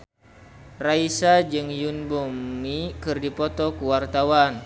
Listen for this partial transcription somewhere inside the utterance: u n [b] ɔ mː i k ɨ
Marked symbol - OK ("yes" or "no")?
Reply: yes